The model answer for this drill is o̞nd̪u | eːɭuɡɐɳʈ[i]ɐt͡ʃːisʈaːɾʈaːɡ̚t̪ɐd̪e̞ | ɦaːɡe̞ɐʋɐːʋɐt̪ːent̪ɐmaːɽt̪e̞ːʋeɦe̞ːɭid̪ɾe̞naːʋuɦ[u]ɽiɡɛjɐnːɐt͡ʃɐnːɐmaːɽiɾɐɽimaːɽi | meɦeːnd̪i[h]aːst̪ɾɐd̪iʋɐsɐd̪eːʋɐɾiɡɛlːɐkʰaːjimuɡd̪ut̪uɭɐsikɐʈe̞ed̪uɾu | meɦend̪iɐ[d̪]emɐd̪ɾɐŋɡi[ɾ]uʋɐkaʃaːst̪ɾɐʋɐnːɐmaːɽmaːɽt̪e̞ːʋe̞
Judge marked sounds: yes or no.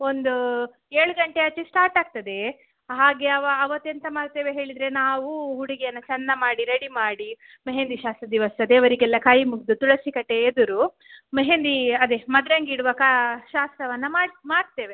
no, yes, no, yes, no

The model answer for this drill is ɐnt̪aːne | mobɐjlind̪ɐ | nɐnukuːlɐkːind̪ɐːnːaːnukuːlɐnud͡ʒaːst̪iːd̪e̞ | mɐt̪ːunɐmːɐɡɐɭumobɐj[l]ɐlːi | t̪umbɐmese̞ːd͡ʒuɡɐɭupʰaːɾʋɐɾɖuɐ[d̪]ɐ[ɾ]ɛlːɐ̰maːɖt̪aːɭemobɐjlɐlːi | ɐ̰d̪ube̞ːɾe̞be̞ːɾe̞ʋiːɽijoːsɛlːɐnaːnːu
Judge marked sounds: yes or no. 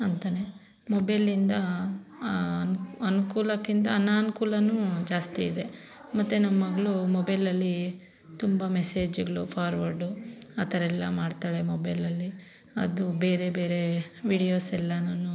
yes, no, yes

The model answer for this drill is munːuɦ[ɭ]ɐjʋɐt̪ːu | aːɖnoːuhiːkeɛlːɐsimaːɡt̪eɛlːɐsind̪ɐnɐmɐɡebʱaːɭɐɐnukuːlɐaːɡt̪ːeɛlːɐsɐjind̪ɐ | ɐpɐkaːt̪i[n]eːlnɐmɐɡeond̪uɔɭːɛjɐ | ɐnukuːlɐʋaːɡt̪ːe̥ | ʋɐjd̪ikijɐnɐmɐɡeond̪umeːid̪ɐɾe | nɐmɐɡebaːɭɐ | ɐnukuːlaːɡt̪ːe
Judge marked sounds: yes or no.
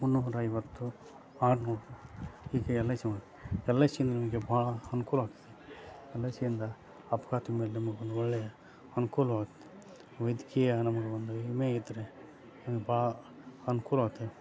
no, no

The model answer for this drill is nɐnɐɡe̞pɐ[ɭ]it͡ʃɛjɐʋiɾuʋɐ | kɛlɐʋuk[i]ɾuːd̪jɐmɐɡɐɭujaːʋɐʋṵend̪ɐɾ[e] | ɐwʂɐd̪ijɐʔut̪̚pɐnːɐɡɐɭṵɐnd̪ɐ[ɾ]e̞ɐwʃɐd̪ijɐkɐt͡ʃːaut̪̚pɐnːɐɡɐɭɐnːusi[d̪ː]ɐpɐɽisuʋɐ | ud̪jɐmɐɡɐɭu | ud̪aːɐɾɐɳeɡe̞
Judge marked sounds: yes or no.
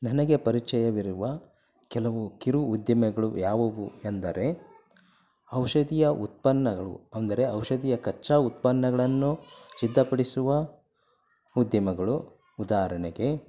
no, yes, yes, yes, yes

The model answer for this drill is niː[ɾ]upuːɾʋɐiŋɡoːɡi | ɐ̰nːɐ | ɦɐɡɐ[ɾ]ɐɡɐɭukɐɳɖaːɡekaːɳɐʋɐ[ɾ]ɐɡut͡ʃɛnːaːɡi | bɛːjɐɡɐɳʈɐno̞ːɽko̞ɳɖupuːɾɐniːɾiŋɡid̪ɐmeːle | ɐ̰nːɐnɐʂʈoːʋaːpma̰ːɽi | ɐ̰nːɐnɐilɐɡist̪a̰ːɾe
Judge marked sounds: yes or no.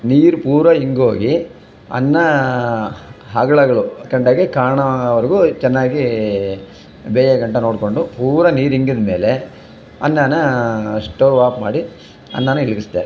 yes, no, yes

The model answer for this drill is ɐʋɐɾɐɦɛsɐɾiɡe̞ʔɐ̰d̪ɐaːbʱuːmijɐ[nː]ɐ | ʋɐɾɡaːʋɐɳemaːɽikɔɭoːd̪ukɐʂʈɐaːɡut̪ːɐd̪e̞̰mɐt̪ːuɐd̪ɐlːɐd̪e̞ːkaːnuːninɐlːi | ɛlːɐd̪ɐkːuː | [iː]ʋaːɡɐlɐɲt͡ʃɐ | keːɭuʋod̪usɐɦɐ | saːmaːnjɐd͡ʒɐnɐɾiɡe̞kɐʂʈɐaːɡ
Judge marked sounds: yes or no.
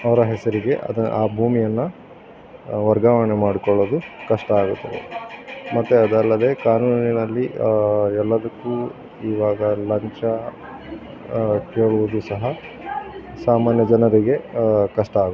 yes, yes

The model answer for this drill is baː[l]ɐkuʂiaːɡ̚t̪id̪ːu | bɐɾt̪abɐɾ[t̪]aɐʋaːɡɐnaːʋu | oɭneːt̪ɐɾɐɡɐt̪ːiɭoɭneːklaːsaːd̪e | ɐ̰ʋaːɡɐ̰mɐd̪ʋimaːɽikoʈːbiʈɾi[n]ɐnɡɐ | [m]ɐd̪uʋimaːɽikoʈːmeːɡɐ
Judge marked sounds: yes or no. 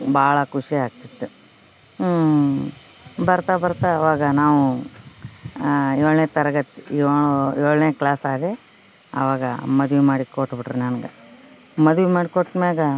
no, yes, yes, yes

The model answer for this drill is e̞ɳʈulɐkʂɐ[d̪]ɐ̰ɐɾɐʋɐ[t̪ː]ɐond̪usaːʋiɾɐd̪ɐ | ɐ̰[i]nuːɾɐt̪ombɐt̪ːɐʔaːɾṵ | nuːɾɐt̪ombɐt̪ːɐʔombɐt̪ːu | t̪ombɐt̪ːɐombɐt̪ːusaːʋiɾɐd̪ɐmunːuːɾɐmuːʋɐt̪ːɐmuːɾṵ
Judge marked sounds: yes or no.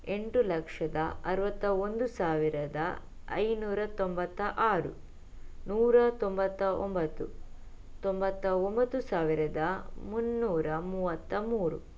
yes, yes, no

